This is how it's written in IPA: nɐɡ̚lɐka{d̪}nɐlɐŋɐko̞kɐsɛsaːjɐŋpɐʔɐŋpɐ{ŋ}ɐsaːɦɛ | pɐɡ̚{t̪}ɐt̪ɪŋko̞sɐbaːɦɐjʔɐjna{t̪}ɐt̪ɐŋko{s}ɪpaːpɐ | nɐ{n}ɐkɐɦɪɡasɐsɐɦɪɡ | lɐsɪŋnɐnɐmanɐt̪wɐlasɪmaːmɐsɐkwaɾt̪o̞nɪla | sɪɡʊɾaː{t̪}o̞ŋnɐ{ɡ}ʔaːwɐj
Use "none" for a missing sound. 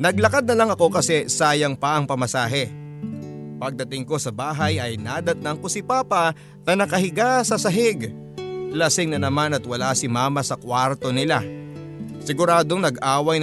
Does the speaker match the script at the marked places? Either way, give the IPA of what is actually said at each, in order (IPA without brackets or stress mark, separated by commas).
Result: d̪, m, d̪, d̪, s, n, d̪, ɡ